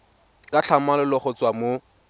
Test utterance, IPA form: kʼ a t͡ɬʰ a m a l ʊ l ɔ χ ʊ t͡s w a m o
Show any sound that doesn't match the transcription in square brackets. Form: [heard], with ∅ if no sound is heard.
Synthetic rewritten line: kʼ a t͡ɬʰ a m a l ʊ l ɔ χ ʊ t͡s w a m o